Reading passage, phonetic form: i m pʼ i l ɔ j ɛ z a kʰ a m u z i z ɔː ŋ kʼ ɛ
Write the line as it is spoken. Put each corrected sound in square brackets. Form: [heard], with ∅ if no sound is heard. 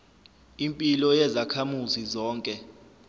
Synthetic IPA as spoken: i m pʼ i l ɔ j ɛ z a kʰ a m u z i z ɔː ŋ kʼ ɛ

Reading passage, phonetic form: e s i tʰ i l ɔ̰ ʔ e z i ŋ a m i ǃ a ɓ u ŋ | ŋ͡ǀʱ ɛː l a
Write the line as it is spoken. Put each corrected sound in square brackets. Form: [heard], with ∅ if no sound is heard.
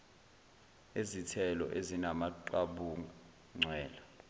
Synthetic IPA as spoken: e [z] i tʰ [ɛ] l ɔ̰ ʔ e z i [n] a m [a] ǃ a ɓ u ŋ | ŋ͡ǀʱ ɛː l a

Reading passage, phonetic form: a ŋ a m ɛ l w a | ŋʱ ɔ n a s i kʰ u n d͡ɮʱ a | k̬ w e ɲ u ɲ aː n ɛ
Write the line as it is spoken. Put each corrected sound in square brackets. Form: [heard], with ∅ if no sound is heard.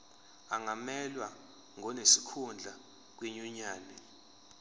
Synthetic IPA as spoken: a ŋ a m ɛ l w a | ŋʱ ɔ n [e] s i kʰ u n d͡ɮʱ a | k̬ w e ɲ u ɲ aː n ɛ

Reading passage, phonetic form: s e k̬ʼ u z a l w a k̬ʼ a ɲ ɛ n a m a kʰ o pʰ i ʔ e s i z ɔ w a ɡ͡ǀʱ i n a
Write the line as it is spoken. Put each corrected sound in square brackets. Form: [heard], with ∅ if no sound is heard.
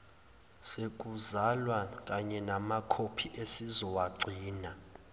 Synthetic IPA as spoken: s e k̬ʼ u z a l w a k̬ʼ a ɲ ɛ n a m a kʰ o pʰ i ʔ e s i z ɔ w a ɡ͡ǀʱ [iː] n a

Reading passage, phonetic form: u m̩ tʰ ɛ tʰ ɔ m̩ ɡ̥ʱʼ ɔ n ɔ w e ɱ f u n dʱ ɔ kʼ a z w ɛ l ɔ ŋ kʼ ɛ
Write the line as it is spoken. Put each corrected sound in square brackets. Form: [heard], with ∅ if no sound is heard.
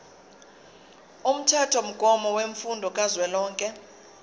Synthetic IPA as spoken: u m̩ tʰ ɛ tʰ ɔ m̩ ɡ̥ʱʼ ɔ [m] ɔ w e ɱ f u n dʱ ɔ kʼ a z w ɛ l [ɔː] ŋ kʼ ɛ

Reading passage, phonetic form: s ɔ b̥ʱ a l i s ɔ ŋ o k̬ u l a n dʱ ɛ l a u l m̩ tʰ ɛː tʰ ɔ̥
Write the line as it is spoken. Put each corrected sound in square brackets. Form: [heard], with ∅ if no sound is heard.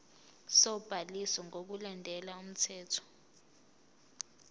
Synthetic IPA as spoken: s ɔ b̥ʱ a l i s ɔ ŋ o k̬ u l a n dʱ ɛ l a u [∅] m̩ tʰ ɛː tʰ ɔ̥

